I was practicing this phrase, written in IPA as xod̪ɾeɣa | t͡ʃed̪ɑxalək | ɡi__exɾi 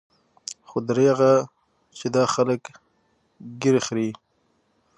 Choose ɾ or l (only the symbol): ɾ